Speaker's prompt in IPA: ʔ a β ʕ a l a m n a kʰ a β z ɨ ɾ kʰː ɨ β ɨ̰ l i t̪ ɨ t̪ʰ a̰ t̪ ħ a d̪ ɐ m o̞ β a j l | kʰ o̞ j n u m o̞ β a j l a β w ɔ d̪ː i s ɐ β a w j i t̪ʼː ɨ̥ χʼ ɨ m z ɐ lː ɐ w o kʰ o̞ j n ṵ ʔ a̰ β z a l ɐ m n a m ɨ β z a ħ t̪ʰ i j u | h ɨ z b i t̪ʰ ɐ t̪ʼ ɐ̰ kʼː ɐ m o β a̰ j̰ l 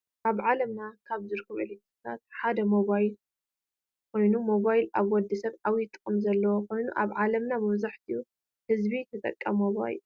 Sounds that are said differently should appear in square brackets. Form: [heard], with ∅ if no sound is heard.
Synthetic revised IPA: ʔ a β ʕ a l [ɐ] m n a kʰ a β z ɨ ɾ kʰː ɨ β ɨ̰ l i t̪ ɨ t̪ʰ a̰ t̪ ħ a d̪ ɐ m o̞ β a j l | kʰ o̞ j n u m o̞ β a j l a β w ɔ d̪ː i s ɐ β a w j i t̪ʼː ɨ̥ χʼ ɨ m z ɐ lː ɐ w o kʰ o̞ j n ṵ ʔ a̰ β [ʕ] a l ɐ m n a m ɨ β z a ħ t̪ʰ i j u | h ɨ z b i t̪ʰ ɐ t̪ʼ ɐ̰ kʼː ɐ m o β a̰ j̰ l